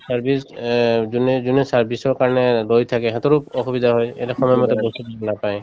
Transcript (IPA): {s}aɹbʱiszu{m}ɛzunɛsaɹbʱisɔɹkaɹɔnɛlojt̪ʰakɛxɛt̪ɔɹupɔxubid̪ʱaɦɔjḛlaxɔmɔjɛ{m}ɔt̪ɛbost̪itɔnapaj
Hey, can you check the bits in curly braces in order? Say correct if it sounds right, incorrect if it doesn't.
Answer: correct, incorrect: n, correct

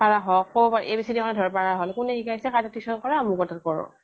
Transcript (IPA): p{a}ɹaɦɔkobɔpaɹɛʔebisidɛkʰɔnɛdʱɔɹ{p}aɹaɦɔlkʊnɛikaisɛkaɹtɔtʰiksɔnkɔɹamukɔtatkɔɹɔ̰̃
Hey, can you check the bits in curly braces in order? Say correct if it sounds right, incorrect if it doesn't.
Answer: correct, correct

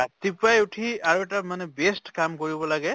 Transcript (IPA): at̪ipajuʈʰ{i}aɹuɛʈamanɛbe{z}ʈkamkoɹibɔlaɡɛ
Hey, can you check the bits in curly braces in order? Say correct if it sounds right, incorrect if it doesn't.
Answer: correct, incorrect: s

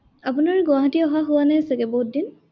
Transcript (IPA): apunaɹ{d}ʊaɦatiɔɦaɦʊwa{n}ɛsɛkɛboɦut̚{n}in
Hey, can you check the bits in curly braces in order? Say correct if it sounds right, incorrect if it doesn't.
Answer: incorrect: ɡ, correct, incorrect: d

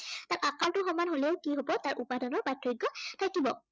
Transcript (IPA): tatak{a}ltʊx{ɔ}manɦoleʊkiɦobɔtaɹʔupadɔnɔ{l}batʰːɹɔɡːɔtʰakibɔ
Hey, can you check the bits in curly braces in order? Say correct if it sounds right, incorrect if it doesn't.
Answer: correct, correct, incorrect: ɹ

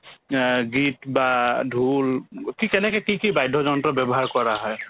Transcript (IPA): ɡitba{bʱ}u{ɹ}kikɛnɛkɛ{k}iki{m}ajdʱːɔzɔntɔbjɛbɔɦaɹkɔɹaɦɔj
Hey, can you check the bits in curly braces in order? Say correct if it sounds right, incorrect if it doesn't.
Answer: incorrect: dʱ, incorrect: l, correct, incorrect: b

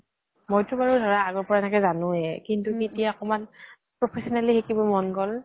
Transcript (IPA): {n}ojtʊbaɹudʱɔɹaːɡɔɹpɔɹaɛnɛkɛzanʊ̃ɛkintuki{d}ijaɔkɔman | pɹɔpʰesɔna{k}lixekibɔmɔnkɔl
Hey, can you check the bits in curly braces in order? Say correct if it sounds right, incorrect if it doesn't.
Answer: incorrect: m, incorrect: t, incorrect: none

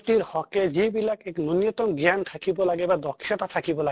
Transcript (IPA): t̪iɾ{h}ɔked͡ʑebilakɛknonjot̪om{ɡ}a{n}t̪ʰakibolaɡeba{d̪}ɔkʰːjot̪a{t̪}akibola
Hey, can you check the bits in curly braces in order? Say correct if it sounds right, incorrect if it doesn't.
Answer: correct, correct, correct, correct, incorrect: t̪ʰ

